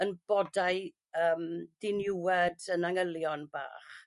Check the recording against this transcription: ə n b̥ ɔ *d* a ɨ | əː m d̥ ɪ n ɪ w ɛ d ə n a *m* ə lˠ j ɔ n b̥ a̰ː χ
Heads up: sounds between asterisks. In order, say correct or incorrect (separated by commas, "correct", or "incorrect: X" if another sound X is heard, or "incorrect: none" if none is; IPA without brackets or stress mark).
correct, incorrect: ŋ